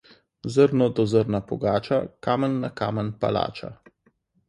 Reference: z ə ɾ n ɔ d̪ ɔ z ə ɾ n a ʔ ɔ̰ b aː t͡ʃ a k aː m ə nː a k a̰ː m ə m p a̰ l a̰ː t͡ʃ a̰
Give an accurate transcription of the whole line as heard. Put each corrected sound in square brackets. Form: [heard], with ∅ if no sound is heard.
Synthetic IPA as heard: z ə ɾ n ɔ d̪ ɔ z ə ɾ n a [p] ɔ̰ [ɡ] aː t͡ʃ a k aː m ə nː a k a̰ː m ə [n] p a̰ l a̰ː t͡ʃ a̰